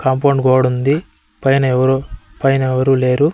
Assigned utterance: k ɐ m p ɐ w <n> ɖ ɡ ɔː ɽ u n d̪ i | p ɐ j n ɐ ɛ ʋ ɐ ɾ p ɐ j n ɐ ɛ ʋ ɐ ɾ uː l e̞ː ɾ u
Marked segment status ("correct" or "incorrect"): incorrect